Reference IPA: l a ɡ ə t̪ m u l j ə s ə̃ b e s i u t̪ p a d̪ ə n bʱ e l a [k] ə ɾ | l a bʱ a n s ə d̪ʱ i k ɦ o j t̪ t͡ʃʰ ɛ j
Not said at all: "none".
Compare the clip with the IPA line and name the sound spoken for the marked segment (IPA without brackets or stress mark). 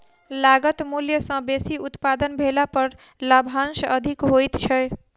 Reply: p